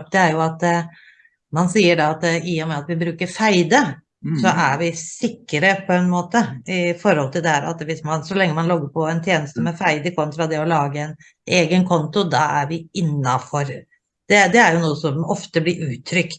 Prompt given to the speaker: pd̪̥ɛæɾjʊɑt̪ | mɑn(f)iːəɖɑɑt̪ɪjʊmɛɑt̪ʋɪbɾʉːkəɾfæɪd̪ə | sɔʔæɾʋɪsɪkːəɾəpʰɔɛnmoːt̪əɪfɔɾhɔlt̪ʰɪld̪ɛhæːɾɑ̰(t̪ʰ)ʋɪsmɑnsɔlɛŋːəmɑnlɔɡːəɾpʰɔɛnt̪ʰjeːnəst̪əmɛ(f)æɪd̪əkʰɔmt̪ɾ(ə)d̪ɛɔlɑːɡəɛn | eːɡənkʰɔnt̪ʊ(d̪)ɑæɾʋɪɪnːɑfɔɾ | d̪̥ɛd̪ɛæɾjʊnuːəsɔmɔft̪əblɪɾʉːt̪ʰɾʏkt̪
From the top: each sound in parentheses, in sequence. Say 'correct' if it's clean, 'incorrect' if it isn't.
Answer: incorrect: s, incorrect: t̪, correct, incorrect: ɑ, correct

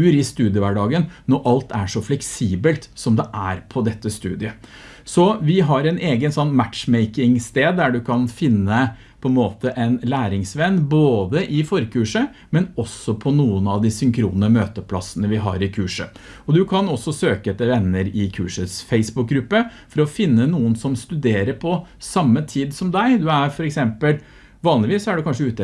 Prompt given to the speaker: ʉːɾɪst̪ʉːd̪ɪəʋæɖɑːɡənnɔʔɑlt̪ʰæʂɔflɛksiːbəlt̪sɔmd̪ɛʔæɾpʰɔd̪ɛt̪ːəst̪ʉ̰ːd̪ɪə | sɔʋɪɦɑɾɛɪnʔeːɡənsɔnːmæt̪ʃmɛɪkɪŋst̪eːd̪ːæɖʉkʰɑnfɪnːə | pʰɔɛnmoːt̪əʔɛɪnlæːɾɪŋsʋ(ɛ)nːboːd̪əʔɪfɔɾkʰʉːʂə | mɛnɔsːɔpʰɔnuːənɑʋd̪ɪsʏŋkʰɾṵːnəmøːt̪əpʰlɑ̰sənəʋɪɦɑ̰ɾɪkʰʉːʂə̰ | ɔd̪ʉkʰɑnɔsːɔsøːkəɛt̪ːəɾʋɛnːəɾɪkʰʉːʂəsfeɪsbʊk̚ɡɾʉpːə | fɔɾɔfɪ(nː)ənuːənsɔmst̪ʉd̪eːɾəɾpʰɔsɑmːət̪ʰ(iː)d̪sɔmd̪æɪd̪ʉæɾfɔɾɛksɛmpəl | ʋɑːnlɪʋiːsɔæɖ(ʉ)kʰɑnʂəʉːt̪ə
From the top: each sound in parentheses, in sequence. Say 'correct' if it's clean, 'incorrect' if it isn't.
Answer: correct, correct, correct, correct

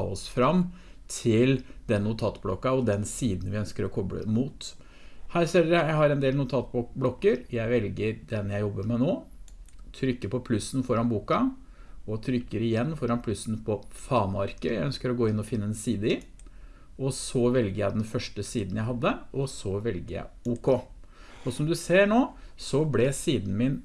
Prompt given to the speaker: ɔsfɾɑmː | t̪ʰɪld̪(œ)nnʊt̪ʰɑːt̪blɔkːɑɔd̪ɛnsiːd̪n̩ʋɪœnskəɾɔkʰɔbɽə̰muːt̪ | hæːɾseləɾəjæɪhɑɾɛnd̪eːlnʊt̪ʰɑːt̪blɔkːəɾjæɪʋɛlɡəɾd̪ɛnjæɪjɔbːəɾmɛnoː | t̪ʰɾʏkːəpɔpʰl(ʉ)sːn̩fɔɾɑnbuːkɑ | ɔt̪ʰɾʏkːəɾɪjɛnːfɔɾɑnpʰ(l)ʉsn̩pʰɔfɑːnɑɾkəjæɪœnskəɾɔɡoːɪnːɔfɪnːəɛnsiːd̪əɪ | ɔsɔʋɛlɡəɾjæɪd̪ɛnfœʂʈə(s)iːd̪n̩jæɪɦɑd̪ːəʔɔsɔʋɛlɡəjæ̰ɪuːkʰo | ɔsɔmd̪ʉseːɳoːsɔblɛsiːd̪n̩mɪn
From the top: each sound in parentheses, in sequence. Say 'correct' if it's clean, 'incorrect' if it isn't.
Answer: incorrect: ɛ, correct, correct, correct

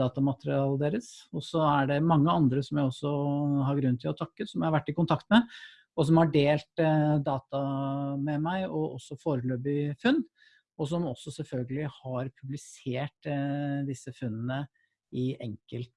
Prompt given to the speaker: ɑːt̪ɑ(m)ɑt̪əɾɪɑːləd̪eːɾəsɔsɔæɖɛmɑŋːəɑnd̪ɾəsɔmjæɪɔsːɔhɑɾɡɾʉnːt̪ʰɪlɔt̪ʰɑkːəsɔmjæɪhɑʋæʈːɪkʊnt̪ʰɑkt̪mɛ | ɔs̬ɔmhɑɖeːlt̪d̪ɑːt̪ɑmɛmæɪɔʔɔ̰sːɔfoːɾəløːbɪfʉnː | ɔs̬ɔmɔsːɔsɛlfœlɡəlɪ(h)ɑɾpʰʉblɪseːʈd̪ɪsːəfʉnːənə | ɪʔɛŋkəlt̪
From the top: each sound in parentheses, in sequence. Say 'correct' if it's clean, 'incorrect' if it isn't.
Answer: correct, correct

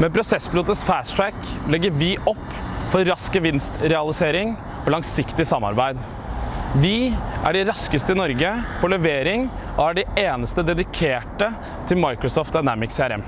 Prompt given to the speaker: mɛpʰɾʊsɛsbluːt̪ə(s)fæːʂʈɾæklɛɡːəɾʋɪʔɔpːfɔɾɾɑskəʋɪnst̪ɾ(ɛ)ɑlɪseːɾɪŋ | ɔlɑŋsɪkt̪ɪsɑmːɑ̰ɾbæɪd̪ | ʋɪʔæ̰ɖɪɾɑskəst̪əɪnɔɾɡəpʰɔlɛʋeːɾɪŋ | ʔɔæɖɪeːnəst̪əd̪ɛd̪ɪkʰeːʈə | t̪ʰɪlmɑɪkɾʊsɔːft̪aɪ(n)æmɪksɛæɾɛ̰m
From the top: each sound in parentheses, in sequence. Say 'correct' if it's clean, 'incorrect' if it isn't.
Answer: correct, correct, correct

